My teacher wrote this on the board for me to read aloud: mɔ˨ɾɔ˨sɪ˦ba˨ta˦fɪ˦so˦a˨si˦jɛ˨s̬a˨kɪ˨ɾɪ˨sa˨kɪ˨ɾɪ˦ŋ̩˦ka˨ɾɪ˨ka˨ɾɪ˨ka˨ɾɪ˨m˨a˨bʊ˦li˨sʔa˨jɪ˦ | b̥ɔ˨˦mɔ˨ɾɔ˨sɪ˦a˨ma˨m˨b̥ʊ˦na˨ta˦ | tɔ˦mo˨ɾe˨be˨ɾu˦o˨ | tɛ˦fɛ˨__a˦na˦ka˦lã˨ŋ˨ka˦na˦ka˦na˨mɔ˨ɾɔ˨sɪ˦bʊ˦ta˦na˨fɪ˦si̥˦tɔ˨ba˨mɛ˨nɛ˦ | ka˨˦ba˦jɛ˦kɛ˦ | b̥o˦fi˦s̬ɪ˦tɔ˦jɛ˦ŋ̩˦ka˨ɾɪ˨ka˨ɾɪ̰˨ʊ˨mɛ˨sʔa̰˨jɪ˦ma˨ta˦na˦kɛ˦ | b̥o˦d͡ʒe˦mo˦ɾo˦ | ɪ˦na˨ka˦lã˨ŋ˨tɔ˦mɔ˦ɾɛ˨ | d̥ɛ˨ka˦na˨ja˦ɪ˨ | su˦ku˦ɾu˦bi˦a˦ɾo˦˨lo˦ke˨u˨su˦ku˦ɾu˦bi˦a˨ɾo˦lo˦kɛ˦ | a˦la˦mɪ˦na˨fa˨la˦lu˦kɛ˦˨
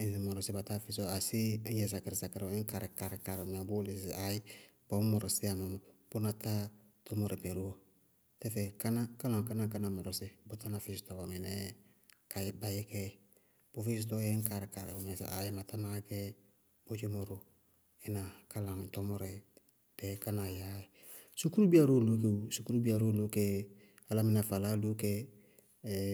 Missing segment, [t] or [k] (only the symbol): k